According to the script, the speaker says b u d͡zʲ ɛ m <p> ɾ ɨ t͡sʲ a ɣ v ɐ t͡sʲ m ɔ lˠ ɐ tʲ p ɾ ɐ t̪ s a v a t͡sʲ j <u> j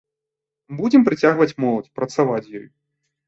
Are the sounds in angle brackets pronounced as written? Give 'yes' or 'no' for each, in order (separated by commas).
yes, no